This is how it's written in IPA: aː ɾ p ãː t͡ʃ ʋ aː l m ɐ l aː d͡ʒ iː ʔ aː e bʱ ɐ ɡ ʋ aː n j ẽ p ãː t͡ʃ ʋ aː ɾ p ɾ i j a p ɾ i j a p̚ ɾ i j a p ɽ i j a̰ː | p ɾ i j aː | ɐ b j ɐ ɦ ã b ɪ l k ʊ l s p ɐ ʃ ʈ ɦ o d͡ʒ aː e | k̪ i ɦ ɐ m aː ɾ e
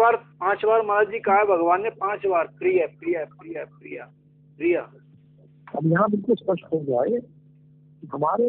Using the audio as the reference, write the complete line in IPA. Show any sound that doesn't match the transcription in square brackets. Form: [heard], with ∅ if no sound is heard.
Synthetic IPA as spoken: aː ɾ p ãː t͡ʃ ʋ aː [ɾ] m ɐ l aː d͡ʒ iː [k] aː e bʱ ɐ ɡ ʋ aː n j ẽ p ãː t͡ʃ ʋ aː ɾ p ɾ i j a p ɾ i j a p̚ ɾ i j a p [ɾ] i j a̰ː | p ɾ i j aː | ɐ b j ɐ ɦ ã b ɪ l k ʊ l s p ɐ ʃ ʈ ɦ o d͡ʒ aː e | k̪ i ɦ ɐ m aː ɾ e